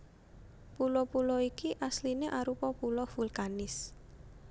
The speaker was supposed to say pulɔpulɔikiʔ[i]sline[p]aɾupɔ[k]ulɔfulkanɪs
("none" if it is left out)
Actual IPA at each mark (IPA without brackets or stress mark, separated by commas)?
a, ʔ, p